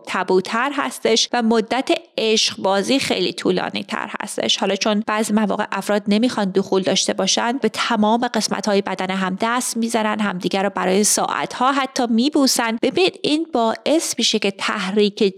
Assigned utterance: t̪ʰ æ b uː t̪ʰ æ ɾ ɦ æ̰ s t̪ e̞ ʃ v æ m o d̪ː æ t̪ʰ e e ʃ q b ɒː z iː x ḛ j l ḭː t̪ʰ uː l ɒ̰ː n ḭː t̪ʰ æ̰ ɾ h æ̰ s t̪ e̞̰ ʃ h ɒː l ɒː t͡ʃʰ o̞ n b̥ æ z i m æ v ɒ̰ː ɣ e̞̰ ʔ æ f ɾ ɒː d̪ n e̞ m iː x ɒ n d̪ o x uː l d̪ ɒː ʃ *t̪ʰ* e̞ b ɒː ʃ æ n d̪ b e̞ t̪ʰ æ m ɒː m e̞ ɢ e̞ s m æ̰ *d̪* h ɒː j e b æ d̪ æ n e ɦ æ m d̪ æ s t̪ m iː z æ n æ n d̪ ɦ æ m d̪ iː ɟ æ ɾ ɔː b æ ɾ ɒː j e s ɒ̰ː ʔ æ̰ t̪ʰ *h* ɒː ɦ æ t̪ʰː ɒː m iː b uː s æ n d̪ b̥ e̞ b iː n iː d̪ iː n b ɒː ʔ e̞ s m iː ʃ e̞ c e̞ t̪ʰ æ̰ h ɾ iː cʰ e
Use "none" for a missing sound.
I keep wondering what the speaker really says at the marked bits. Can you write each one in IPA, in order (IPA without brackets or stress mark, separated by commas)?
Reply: t̪, t̪, h